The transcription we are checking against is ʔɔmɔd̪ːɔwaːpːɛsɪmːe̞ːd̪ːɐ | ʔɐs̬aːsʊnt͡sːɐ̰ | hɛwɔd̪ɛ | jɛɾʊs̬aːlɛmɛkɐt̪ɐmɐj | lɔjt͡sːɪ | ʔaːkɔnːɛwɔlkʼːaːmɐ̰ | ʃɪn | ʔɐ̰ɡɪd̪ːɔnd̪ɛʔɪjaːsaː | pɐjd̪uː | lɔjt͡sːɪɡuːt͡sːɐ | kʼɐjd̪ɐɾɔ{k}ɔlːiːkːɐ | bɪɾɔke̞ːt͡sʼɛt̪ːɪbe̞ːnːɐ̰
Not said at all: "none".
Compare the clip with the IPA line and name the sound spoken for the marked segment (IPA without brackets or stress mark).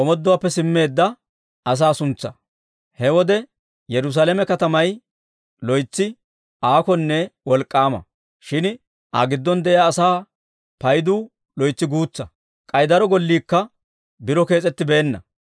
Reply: ɡ